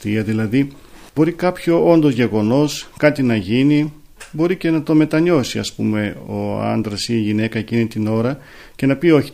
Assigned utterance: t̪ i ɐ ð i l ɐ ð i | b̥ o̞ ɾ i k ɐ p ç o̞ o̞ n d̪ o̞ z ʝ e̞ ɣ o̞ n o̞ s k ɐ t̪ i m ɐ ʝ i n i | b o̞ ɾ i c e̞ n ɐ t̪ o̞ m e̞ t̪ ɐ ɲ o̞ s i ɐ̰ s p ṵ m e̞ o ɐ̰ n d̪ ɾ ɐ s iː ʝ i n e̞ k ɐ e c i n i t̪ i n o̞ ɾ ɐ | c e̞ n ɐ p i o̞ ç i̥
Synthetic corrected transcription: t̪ i ɐ ð i l ɐ ð i | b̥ o̞ ɾ i k ɐ p ç o̞ o̞ n d̪ o̞ z ʝ e̞ ɣ o̞ n o̞ s k ɐ t̪ i n ɐ ʝ i n i | b o̞ ɾ i c e̞ n ɐ t̪ o̞ m e̞ t̪ ɐ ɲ o̞ s i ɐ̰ s p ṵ m e̞ o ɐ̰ n d̪ ɾ ɐ s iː ʝ i n e̞ k ɐ e c i n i t̪ i n o̞ ɾ ɐ | c e̞ n ɐ p i o̞ ç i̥